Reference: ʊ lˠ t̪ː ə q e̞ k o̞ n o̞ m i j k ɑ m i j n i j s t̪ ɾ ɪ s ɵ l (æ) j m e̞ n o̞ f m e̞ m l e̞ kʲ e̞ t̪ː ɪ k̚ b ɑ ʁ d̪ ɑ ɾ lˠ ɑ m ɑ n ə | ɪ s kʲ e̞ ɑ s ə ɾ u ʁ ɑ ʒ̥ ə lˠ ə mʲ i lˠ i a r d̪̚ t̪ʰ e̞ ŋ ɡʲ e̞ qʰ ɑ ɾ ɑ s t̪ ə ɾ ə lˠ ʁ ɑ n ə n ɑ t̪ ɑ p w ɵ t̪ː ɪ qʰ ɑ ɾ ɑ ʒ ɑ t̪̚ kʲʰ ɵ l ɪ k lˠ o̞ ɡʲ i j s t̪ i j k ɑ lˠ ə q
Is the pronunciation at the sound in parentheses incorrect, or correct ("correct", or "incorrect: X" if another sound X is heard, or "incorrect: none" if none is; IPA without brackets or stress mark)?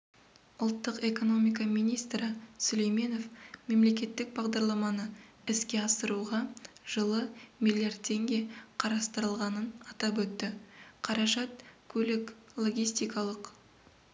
incorrect: e